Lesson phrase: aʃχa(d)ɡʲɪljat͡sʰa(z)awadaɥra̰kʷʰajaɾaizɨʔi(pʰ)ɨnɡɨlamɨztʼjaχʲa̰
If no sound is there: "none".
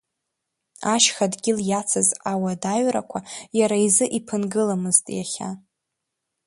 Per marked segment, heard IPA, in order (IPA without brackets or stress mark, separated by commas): d, z, pʰ